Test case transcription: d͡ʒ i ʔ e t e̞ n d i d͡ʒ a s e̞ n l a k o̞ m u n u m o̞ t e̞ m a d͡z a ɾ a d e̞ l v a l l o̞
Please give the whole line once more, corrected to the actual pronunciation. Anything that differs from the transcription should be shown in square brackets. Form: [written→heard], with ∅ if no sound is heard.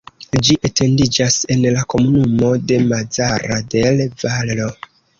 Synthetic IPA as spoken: d͡ʒ i ʔ e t e̞ n d i d͡ʒ a s e̞ n l a k o̞ m u n u m o̞ [t→d] e̞ m a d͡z a ɾ a d e̞ l v a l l o̞

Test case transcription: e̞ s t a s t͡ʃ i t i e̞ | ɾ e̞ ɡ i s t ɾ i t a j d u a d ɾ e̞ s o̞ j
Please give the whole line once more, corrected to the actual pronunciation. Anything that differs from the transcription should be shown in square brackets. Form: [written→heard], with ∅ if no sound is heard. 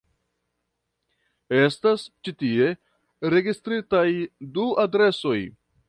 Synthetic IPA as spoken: e̞ s t a s t͡ʃ i t i e̞ | ɾ e̞ ɡ i s t ɾ i t a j d u a d ɾ e̞ s o̞ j

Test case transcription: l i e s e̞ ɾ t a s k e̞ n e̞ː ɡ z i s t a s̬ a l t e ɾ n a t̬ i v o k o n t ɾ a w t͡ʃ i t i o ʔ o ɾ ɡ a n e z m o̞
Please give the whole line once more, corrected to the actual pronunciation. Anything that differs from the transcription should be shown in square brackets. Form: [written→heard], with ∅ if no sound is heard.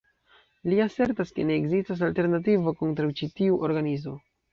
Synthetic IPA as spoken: l i [e→a] s e̞ ɾ t a s k e̞ n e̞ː ɡ z i s t a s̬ a l t e ɾ n a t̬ i v o k o n t ɾ a w t͡ʃ i t i [o→u] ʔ o ɾ ɡ a n [e→i] z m o̞

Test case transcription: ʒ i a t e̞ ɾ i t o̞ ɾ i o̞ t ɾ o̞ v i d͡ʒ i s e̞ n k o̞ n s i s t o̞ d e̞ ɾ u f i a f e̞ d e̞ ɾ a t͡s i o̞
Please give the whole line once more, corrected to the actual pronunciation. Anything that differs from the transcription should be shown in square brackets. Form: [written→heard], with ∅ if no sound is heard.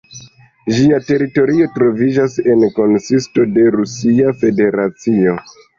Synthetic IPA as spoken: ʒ i a t e̞ ɾ i t o̞ ɾ i o̞ t ɾ o̞ v i d͡ʒ [i→a] s e̞ n k o̞ n s i s t o̞ d e̞ ɾ u [f→s] i a f e̞ d e̞ ɾ a t͡s i o̞

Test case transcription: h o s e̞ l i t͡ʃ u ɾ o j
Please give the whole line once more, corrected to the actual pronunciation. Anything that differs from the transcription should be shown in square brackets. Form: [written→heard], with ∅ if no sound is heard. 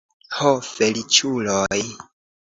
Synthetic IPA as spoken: h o [s→f] e̞ l i t͡ʃ u [ɾ→l] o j

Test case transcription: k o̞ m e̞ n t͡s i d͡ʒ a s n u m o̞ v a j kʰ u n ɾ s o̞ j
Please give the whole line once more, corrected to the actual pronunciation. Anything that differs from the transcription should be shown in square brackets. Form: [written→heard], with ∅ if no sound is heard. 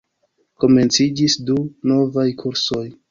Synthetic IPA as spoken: k o̞ m e̞ n t͡s i d͡ʒ [a→i] s [n→d] u [m→n] o̞ v a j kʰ u [n→∅] ɾ s o̞ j

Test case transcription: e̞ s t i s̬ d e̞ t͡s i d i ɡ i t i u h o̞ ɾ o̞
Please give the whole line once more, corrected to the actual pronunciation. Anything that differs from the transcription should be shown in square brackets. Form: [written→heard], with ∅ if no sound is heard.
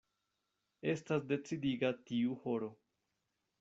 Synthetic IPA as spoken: e̞ s t [i→a] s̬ d e̞ t͡s i d i ɡ [i→a] t i u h o̞ ɾ o̞

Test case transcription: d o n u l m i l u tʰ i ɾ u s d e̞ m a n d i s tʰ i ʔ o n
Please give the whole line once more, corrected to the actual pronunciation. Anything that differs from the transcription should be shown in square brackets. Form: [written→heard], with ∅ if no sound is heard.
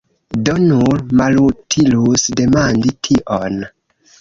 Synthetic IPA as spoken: d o n u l m [i→a] l u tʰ i [ɾ→l] u s d e̞ m a n d i [s→∅] tʰ i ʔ o n

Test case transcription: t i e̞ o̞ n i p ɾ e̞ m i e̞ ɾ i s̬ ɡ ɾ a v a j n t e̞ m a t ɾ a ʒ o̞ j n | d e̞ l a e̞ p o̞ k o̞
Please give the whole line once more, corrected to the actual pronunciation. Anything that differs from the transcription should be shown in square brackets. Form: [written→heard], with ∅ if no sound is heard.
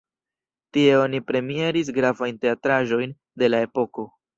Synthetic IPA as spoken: t i e̞ o̞ n i p ɾ e̞ m i e̞ ɾ i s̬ ɡ ɾ a v a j n t e̞ [m→∅] a t ɾ a ʒ o̞ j n | d e̞ l a e̞ p o̞ k o̞

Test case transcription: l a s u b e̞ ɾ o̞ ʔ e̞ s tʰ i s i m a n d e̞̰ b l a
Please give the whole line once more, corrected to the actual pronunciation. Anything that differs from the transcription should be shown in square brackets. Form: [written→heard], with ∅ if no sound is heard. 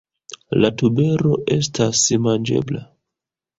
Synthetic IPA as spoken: l a [s→t] u b e̞ ɾ o̞ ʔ e̞ s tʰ [i→a] s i m a n [d→d͡ʒ] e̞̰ b l a

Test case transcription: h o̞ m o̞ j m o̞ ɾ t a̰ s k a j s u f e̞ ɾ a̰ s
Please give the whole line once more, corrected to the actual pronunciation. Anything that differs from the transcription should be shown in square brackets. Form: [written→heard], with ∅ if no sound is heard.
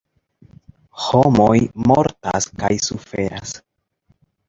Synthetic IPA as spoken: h o̞ m o̞ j m o̞ ɾ t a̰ s k a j s u f e̞ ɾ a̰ s

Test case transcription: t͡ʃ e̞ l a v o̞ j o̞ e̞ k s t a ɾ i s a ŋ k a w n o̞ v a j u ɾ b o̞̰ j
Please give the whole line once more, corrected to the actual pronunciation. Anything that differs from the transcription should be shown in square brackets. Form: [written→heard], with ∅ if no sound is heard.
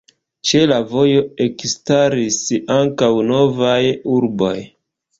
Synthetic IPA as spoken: t͡ʃ e̞ l a v o̞ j o̞ e̞ k s t a ɾ i s a ŋ k a w n o̞ v a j u ɾ b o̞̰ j

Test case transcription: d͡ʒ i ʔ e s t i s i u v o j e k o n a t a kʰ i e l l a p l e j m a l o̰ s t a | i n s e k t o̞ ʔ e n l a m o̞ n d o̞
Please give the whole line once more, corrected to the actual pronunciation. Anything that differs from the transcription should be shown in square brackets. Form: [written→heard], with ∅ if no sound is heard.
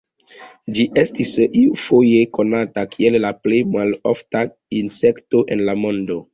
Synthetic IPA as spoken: d͡ʒ i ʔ e s t i s i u [v→f] o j e k o n a t a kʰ i e l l a p l e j m a l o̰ [s→f] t a | i n s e k t o̞ ʔ e n l a m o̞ n d o̞

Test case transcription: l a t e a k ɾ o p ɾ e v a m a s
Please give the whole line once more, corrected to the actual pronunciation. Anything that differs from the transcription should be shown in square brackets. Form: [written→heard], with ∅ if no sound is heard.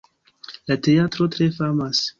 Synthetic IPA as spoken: l a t e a [k→t] ɾ o [p→t] ɾ e [v→f] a m a s

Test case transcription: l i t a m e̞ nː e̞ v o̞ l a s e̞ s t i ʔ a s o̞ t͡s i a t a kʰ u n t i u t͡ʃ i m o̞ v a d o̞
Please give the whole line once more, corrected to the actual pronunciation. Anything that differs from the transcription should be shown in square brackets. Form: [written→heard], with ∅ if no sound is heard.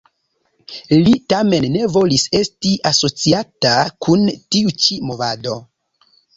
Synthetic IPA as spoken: l i t a m e̞ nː e̞ v o̞ l [a→i] s e̞ s t i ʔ a s o̞ t͡s i a t a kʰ u n t i u t͡ʃ i m o̞ v a d o̞

